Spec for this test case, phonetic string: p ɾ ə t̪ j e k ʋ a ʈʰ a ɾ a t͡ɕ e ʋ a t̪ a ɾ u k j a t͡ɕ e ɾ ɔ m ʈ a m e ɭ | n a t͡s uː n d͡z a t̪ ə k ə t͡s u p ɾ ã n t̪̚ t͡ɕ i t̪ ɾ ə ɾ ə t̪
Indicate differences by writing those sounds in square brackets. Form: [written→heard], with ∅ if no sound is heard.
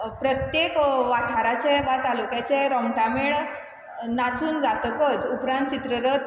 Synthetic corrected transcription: p ɾ ə t̪ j e k ʋ a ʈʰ a ɾ a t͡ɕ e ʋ a t̪ a [ɾ→l] u k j a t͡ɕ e ɾ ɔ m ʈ a m e ɭ | n a t͡s uː n d͡z a t̪ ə k ə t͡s u p ɾ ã n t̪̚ t͡ɕ i t̪ ɾ ə ɾ ə t̪